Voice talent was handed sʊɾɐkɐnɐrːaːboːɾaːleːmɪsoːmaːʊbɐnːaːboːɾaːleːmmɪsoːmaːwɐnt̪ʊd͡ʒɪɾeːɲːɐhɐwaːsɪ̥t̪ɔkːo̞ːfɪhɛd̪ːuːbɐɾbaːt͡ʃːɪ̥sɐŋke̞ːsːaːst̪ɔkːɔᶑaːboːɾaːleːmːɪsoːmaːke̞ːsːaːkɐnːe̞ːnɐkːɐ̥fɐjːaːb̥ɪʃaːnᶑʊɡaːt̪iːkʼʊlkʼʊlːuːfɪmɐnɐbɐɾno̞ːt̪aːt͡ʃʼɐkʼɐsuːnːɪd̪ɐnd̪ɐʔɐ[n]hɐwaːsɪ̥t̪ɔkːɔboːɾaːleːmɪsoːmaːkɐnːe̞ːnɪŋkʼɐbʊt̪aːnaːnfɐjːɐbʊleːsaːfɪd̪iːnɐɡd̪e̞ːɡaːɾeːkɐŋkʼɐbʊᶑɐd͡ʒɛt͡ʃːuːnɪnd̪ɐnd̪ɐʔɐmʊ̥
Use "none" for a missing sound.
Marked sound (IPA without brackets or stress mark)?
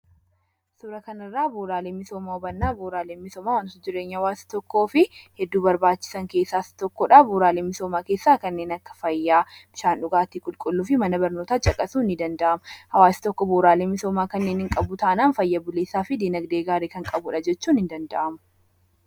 m